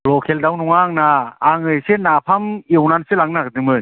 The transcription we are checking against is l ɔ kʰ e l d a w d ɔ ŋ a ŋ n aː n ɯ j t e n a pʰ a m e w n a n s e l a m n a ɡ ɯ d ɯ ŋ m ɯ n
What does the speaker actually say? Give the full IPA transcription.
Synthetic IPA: l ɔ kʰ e l d a w n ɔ ŋ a ŋ n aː ŋ ɯ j s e n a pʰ a m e w n a n s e l a ŋ n a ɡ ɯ d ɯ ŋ m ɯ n